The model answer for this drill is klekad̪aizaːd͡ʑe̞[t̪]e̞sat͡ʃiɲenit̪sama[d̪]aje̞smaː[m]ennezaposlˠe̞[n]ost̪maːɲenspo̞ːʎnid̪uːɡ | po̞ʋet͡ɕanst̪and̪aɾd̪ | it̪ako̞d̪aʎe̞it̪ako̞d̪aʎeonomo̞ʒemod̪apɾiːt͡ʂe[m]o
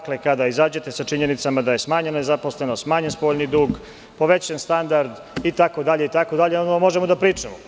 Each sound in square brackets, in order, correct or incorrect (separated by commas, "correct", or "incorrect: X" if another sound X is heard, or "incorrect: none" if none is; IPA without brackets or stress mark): correct, correct, incorrect: ɲ, correct, correct